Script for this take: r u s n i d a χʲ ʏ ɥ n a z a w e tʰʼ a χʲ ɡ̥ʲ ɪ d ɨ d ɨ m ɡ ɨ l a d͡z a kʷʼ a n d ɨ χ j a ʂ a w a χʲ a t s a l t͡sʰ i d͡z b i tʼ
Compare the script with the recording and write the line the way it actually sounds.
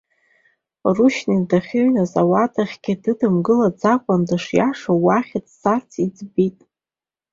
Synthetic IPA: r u ʃ n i d a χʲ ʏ ɥ n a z a w a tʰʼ a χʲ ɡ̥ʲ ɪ d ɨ d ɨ m ɡ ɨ l a d͡z a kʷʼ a n d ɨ ʂ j a ʂ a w a χʲ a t s a r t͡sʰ i d͡z b i tʼ